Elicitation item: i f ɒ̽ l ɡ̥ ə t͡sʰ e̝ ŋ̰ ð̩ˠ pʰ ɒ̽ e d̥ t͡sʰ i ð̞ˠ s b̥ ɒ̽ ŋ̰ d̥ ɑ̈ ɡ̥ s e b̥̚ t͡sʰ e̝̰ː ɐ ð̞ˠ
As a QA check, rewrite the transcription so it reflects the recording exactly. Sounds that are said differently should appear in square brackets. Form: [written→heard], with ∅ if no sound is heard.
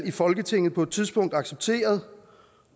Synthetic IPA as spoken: i f ɒ̽ l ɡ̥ ə t͡sʰ e̝ ŋ̰ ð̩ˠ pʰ ɒ̽ e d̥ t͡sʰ i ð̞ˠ s b̥ [ɒ̽→ɔ̽] ŋ̰ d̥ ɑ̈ ɡ̥ s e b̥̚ t͡sʰ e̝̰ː ɐ ð̞ˠ